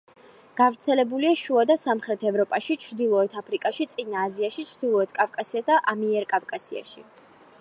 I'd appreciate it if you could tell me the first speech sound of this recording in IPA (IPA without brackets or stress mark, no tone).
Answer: ɡ̥